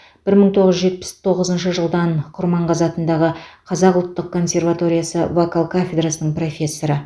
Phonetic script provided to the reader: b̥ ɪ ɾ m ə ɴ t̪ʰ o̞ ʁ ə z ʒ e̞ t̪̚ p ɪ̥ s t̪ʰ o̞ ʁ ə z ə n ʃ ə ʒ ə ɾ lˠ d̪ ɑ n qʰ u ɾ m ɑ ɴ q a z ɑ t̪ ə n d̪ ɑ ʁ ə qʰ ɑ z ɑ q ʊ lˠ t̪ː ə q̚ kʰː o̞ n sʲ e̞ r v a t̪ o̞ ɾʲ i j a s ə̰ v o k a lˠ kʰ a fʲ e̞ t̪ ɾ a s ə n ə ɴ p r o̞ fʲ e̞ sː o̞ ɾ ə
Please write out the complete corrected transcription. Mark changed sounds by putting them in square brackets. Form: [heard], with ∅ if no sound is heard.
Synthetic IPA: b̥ ɪ ɾ m ə ɴ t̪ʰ o̞ ʁ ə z ʒ e̞ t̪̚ p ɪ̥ s t̪ʰ o̞ ʁ ə z ə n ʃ ə ʒ ə [∅] lˠ d̪ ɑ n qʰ [ʊ] ɾ m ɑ ɴ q [ɑ] z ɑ t̪ ə n d̪ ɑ ʁ ə qʰ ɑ z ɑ q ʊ lˠ t̪ː ə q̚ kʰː o̞ n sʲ e̞ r v a t̪ o̞ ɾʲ i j a s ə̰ v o k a lˠ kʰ a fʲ e̞ [d̪] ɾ a s ə n ə ɴ p r o̞ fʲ e̞ sː o̞ ɾ ə